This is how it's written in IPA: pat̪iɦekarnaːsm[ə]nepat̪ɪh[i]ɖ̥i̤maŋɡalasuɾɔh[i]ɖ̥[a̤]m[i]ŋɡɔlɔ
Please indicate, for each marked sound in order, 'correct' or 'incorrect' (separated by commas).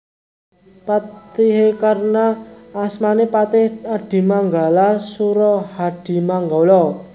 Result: incorrect, incorrect, incorrect, incorrect, incorrect